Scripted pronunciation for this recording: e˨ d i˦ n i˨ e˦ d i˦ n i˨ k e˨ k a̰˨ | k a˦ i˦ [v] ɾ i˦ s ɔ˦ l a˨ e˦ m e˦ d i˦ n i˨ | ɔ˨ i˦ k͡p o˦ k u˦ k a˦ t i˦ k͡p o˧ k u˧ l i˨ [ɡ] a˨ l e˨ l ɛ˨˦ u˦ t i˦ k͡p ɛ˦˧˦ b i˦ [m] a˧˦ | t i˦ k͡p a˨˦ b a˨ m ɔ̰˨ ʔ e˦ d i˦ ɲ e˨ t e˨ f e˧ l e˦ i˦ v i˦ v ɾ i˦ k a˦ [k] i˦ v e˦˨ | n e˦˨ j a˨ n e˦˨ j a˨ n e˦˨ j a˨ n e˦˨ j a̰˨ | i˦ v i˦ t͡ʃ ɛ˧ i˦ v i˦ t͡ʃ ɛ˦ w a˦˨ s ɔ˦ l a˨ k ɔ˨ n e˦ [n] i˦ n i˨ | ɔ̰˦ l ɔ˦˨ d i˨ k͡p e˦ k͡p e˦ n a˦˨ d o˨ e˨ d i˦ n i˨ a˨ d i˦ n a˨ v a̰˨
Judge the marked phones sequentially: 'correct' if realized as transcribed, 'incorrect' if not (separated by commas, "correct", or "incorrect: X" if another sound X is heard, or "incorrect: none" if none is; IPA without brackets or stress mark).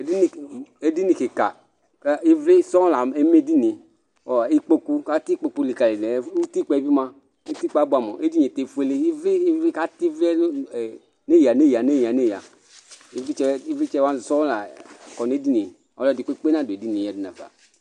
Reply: correct, incorrect: k, correct, incorrect: t, incorrect: d